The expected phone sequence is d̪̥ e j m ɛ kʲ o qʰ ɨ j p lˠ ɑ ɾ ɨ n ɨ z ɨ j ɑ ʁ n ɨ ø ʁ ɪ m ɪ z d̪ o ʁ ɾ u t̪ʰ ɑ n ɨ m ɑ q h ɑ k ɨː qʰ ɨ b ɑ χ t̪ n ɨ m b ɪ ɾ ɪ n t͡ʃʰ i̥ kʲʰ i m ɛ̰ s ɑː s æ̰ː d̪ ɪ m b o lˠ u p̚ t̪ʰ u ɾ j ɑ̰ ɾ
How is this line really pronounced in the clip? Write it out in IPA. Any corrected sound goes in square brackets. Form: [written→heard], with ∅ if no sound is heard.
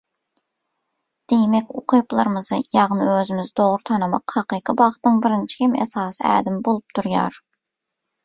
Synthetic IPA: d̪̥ e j m ɛ kʲ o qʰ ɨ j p lˠ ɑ ɾ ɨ [n→m] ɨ z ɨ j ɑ ʁ n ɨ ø [ʁ→z] ɪ m ɪ z d̪ o ʁ ɾ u t̪ʰ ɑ n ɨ m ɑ q h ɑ [k→q] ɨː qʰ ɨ b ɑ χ t̪ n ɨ [m→ŋ] b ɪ ɾ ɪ n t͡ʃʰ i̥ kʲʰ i m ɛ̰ s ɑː s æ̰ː d̪ ɪ m b o lˠ u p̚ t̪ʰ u ɾ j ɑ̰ ɾ